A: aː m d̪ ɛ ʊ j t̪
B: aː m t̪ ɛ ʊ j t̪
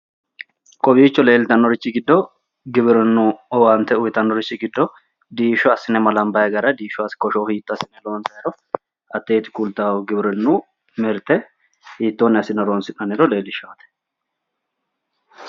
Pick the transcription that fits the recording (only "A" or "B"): B